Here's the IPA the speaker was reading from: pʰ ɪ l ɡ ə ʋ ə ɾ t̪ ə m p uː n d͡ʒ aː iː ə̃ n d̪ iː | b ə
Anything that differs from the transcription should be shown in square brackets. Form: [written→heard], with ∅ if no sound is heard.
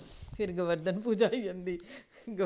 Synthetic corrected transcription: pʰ ɪ [l→ɾ] ɡ ə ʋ ə ɾ [t̪→d̪] ə [m→n] p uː [n→∅] d͡ʒ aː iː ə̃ n d̪ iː | [b→ɡ] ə